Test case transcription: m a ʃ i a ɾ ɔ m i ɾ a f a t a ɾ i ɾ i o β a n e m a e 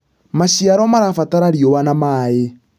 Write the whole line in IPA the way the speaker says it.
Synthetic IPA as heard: m a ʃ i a ɾ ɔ m a ɾ a f a t a ɾ a ɾ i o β a n a m a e